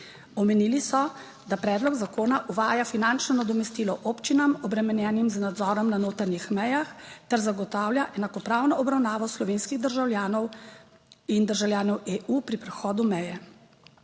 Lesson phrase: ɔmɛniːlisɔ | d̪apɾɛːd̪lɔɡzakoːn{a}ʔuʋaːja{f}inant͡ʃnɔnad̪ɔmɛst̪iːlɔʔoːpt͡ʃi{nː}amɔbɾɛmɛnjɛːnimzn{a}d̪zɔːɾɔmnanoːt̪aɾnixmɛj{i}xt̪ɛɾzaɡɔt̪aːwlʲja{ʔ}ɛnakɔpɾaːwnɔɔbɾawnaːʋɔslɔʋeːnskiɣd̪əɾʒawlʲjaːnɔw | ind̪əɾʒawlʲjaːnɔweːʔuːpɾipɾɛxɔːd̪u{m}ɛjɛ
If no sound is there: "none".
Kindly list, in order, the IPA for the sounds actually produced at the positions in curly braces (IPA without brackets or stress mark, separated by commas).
a, f, n, a, a, ʔ, m